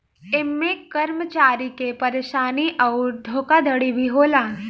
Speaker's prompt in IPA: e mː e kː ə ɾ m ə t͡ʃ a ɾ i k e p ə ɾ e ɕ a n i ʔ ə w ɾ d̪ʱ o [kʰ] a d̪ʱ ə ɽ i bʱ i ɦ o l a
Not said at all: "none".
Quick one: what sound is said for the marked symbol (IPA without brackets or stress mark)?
k